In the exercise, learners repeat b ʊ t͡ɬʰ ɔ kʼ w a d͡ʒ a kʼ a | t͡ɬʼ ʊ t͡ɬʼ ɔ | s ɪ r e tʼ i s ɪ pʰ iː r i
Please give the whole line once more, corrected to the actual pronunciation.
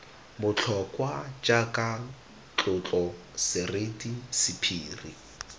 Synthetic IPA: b ʊ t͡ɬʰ ɔ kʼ w a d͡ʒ a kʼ a | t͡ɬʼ ʊ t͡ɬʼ ɔ | s ɪ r e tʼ i s ɪ pʰ iː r i